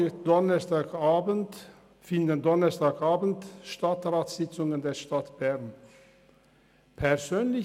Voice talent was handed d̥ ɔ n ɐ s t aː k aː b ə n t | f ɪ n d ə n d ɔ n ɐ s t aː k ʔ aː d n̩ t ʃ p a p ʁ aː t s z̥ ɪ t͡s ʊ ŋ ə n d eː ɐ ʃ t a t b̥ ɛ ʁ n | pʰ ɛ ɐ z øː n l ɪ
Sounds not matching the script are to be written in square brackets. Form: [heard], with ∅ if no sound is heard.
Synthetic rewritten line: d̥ ɔ n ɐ s t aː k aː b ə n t | f ɪ n d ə n d ɔ n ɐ s t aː k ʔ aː [b] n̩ t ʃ [t] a [t] ʁ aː t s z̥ ɪ t͡s ʊ ŋ ə n d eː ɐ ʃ t a t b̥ ɛ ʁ n | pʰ ɛ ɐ z øː n l ɪ